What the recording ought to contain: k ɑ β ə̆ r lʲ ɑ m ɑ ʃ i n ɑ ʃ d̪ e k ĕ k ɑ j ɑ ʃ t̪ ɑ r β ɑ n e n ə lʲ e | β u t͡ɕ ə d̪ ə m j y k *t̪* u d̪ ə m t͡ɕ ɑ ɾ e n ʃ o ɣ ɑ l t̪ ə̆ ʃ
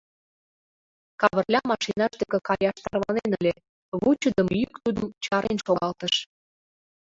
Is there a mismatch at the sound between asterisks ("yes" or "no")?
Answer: no